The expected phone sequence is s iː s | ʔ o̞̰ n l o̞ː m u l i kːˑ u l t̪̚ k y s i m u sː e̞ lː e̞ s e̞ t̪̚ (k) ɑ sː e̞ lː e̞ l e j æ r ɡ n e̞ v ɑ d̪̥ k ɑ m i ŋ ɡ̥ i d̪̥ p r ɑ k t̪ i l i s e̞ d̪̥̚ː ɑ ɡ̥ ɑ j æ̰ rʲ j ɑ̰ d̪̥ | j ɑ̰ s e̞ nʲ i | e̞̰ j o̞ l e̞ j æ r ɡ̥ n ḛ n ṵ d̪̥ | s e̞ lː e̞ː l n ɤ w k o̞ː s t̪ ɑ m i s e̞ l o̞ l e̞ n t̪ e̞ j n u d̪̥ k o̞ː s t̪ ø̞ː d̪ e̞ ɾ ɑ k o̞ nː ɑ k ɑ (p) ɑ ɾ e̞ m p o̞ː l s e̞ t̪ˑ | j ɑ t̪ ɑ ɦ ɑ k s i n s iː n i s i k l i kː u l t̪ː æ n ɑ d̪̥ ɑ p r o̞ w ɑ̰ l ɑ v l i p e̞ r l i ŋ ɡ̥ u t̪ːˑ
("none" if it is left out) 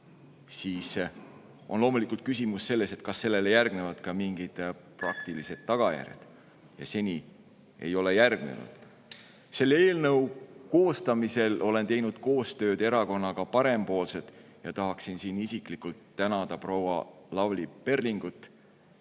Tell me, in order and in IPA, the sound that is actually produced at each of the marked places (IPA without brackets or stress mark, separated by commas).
k, p